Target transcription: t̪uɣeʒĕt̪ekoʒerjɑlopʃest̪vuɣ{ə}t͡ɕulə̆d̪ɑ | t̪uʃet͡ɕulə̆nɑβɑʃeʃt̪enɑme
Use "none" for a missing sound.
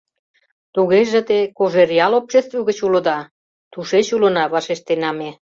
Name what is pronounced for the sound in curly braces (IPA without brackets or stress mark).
ə